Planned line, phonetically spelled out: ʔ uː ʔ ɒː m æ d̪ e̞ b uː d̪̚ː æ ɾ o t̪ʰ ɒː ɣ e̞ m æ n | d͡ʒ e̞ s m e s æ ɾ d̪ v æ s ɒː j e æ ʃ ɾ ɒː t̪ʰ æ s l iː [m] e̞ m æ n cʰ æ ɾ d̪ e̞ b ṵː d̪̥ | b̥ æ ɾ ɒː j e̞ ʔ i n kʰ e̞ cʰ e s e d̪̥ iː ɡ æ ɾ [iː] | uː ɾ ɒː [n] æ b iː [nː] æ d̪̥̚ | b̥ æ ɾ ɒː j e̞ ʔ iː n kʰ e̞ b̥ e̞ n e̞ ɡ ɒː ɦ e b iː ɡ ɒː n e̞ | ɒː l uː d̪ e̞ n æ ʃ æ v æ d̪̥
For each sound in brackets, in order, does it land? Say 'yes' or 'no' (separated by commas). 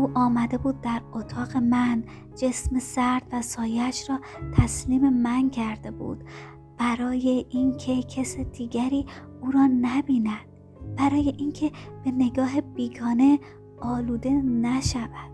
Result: yes, yes, yes, no